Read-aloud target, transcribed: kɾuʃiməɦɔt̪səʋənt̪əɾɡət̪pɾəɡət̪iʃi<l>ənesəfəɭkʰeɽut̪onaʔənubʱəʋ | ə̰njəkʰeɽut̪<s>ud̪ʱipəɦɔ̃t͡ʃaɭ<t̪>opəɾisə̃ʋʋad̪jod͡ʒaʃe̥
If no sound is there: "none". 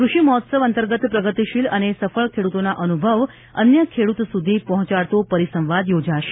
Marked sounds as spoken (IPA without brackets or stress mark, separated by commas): l, s, t̪